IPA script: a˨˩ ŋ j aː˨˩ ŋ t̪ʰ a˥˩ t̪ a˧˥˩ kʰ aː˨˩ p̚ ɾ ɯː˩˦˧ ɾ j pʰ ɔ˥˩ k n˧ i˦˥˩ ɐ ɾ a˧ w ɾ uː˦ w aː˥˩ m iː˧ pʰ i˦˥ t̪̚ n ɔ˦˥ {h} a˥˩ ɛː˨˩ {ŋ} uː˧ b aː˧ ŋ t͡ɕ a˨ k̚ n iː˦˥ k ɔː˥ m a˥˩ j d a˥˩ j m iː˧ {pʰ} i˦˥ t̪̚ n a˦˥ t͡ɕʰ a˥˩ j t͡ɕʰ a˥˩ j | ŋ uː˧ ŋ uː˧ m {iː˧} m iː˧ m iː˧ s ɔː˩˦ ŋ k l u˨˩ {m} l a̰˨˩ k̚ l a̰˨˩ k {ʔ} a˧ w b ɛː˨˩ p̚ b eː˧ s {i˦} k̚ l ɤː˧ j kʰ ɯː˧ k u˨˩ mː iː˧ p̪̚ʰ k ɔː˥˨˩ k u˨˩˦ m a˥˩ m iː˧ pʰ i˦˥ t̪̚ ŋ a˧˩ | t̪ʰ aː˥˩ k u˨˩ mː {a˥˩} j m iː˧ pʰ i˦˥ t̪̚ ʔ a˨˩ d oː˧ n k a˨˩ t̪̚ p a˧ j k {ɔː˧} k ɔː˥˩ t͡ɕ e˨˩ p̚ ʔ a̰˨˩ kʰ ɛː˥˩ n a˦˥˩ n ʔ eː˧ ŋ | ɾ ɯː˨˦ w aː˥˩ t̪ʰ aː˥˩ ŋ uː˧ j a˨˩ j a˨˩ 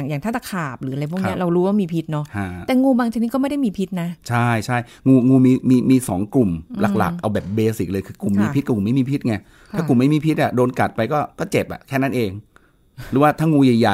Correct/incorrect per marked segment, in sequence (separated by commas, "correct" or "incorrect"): correct, correct, correct, correct, correct, correct, incorrect, correct, incorrect